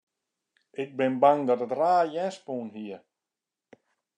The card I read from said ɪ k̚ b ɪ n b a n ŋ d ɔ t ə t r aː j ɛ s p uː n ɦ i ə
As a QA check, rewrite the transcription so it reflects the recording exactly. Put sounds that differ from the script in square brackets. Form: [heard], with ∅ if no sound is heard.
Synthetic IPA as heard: ɪ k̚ b ɪ n b a [∅] ŋ d ɔ t ə t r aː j ɛ s p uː n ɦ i ə